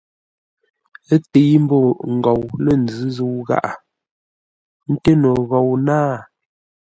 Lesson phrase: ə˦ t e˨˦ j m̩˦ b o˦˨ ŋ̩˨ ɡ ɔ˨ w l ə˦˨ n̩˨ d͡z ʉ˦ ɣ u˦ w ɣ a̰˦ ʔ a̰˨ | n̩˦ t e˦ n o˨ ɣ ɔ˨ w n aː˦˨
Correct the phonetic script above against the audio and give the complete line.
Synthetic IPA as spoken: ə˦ t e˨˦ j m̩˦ b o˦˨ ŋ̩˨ ɡ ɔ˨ w l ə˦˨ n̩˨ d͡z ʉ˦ z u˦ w ɣ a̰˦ ʔ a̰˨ | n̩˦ t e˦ n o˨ ɣ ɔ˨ w n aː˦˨